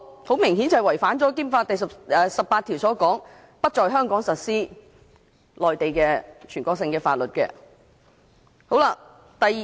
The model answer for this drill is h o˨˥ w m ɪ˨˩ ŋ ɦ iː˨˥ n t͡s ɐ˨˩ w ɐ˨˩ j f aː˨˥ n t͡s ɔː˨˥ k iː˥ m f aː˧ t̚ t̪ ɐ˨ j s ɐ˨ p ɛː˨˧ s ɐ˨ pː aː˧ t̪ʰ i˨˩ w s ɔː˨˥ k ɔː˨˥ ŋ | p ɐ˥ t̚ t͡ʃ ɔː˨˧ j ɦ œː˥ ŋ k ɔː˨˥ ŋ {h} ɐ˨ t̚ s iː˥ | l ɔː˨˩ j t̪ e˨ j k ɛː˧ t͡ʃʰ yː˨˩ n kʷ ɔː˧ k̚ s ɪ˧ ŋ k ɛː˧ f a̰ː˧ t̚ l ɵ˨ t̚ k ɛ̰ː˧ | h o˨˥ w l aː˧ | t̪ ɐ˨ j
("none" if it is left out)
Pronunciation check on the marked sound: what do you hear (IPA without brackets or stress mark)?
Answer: s